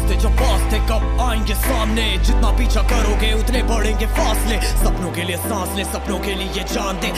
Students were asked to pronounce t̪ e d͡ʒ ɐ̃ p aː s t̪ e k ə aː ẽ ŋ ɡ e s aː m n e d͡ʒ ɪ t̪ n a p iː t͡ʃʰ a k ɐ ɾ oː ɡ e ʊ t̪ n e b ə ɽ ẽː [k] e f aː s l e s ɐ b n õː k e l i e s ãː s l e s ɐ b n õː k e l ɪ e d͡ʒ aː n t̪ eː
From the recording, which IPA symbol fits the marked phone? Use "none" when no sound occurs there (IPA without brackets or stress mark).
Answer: ɡ